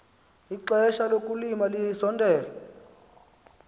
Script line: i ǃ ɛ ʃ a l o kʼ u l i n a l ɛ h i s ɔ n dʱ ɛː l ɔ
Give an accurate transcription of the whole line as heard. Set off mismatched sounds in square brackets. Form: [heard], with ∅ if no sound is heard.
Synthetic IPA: i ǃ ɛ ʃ a l o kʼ u l i [m] a l [i] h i s ɔ n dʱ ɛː l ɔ